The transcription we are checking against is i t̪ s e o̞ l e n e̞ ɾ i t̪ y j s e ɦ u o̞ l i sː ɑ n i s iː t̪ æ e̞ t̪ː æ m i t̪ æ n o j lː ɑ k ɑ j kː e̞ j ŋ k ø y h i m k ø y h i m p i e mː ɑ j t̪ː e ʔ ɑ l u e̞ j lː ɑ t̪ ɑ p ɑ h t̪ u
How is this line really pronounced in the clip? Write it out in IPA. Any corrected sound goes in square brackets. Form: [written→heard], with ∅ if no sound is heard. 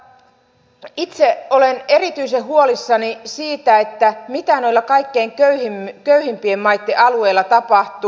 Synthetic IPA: i t̪ s e o̞ l e n e̞ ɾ i t̪ y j s e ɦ u o̞ l i sː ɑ n i s iː t̪ æ e̞ t̪ː æ m i t̪ æ n o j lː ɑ k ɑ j kː e̞ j ŋ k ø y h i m k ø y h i m p i e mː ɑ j t̪ː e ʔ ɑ l u e̞ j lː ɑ t̪ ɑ p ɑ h t̪ u